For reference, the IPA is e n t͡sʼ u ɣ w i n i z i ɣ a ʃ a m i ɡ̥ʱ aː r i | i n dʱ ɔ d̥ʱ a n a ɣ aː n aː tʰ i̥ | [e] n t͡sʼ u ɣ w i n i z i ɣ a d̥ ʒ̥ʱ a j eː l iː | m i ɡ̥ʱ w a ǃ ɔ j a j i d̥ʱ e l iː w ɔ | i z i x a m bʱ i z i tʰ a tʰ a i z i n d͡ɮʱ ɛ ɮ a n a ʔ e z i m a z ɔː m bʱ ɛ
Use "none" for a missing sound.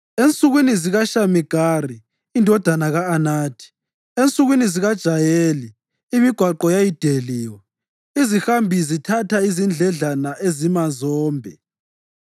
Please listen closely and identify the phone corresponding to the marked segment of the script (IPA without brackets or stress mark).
e